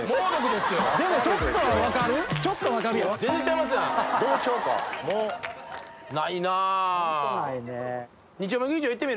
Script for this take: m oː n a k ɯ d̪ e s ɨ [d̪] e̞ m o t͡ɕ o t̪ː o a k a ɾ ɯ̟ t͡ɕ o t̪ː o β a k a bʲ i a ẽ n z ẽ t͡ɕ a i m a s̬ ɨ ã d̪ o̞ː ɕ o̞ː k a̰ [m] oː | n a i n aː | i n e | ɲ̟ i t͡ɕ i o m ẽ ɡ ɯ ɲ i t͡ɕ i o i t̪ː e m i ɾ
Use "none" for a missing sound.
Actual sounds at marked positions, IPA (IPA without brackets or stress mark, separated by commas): d̪, m